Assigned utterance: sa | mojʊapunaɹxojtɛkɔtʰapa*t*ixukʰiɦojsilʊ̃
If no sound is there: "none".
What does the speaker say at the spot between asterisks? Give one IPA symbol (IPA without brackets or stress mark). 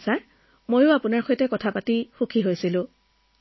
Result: t